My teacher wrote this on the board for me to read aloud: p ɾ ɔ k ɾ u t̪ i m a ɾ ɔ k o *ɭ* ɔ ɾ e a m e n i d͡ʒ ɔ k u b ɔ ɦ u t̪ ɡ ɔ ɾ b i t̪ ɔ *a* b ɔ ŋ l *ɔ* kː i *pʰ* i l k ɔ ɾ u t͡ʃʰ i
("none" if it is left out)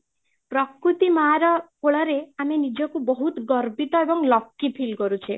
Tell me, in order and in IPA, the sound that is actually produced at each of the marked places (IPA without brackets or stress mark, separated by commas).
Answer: ɭ, e, ɔ, pʰ